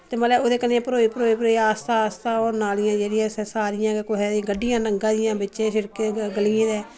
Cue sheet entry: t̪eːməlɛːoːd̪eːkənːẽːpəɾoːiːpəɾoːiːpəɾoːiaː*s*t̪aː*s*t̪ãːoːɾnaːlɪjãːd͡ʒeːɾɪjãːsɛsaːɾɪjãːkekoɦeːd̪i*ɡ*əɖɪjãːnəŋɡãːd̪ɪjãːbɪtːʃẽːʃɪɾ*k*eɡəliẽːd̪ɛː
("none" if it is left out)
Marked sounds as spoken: s, s, ɡ, k

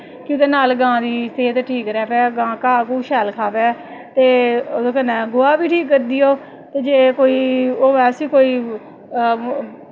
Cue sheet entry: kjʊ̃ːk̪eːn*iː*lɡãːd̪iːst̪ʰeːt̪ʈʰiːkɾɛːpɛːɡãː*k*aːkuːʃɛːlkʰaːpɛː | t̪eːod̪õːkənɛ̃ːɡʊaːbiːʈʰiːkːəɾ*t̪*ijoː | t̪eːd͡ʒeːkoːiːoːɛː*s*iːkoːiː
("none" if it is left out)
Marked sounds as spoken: aː, k, d̪, s

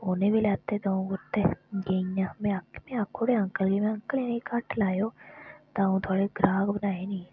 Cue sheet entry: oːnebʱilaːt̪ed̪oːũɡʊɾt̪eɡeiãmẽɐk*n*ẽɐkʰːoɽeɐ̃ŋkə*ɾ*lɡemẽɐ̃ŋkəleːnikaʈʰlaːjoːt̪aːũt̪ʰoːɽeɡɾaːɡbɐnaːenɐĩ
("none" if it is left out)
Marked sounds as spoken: m, none

